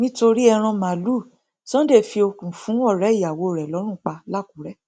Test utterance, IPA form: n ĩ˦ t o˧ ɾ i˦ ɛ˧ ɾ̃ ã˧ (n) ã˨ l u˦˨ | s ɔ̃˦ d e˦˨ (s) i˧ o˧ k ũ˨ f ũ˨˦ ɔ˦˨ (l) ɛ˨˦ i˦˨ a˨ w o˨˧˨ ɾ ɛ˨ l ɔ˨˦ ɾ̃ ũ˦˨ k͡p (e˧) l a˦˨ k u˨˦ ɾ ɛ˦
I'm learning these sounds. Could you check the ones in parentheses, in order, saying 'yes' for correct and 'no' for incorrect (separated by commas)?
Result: no, no, no, no